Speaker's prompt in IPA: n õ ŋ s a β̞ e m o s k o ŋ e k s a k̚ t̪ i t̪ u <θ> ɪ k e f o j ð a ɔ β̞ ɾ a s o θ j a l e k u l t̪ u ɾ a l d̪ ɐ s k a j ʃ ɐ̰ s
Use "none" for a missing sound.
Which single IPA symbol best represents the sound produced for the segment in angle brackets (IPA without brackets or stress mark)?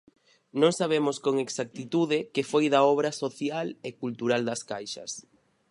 ð